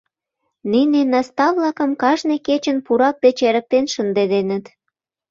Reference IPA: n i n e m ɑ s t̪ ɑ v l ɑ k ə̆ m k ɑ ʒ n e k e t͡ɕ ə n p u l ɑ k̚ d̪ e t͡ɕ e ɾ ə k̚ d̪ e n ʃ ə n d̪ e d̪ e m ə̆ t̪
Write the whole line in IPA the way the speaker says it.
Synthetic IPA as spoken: n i n e n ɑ s t̪ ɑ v l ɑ k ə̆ m k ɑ ʒ n e k e t͡ɕ ə n p u ɾ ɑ k̚ d̪ e t͡ɕ e ɾ ə k̚ t̪ e n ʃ ə n d̪ e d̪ e n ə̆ t̪